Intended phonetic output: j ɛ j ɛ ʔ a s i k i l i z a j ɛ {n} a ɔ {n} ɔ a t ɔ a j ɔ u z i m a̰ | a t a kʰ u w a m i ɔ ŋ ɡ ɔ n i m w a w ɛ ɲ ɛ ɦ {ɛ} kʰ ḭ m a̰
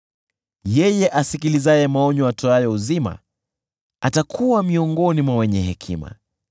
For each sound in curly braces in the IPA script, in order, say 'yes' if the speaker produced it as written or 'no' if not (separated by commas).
no, no, yes